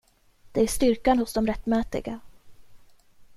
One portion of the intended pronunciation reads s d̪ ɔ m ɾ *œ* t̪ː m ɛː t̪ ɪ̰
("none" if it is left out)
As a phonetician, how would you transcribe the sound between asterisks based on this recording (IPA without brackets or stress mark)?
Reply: ɛ